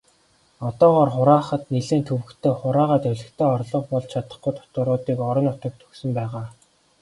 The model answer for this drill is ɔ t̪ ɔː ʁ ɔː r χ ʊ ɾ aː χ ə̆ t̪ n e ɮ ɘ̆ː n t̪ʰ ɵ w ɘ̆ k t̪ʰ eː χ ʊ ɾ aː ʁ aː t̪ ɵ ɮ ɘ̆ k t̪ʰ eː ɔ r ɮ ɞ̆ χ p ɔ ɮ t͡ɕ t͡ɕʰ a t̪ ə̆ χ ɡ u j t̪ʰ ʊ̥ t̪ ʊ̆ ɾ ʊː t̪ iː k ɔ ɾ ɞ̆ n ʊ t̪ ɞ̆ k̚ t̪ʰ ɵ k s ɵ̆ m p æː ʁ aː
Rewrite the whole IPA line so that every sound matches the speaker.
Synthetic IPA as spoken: ɔ t̪ ɔː ʁ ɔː r χ ʊ ɾ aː χ ə̆ t̪ n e ɮ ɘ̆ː n t̪ʰ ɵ w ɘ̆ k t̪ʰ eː χ ʊ ɾ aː ʁ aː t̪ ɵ ɮ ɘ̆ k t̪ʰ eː ɔ r ɮ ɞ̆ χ p ɔ ɮ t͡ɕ t͡ɕʰ a t̪ ə̆ χ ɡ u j t̪ʰ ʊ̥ t̪ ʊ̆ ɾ ʊː t̪ iː k ɔ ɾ ɞ̆ n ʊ t̪ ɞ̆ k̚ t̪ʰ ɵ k s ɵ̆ m p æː ʁ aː